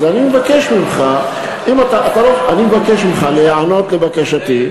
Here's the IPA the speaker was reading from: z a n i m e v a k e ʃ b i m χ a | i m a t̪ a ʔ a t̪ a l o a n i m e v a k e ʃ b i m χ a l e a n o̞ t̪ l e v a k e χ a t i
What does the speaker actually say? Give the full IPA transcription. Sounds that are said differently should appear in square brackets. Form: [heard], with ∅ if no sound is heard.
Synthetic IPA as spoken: z a n i m e v a k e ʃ [m] i m χ a | i m a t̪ a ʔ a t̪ a l o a n i m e v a k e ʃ [m] i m χ a l e a n o̞ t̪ l e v a k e [ʃ] a t i